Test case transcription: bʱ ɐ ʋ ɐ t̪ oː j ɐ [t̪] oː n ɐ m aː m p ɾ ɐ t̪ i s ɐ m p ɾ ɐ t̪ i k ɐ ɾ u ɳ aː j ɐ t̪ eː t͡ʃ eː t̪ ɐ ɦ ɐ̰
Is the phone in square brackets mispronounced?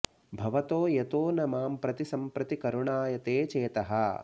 no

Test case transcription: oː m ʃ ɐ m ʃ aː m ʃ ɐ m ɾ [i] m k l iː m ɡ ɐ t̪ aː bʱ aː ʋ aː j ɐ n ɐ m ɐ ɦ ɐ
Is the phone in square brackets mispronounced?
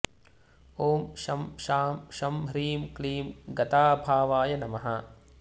yes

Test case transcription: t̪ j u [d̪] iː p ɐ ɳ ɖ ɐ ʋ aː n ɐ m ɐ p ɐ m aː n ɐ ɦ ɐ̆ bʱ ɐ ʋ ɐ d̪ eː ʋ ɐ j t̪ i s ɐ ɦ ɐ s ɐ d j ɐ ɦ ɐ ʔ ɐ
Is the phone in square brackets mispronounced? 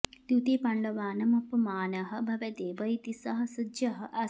yes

